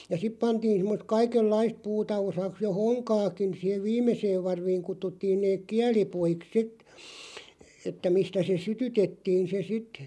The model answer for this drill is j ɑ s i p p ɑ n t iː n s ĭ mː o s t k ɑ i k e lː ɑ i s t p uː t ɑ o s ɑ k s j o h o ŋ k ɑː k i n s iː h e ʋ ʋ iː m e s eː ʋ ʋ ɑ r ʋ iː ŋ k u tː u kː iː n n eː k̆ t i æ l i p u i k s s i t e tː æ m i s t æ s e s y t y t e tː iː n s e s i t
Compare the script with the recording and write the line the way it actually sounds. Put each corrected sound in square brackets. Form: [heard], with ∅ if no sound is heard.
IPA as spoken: j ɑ s i p p ɑ n t iː n s ĭ mː o s t k ɑ i k e lː ɑ i s t p uː t ɑ o s ɑ k s j o h o ŋ k ɑː k i n s iː h e ʋ ʋ iː m e s eː ʋ ʋ ɑ r ʋ iː ŋ k u tː u [tː] iː n n eː k̆ [k] i æ l i p u i k s s i t e tː æ m i s t æ s e s y t y t e tː iː n s e s i t